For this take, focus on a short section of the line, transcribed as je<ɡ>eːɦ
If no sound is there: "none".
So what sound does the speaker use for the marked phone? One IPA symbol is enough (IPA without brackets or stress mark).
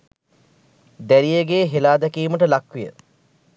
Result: ɡ